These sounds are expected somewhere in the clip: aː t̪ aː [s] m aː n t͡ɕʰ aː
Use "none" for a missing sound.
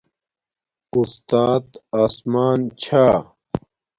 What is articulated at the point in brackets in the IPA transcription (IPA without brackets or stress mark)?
s